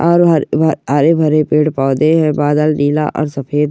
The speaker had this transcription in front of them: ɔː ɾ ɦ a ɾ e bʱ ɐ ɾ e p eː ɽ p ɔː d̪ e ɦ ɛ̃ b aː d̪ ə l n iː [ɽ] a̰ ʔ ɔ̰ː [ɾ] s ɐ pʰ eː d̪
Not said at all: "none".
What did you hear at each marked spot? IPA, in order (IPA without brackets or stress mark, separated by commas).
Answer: l, ɾ